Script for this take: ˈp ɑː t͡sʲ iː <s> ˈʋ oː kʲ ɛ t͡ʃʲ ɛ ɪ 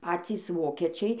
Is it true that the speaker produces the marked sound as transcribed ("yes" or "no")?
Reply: yes